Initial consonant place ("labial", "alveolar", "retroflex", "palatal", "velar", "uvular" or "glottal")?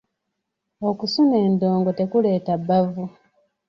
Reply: velar